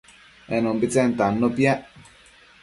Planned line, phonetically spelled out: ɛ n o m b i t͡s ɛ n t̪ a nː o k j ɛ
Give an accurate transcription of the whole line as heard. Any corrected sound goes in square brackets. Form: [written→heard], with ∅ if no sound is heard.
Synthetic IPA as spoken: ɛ n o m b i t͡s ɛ n t̪ a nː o [k→p] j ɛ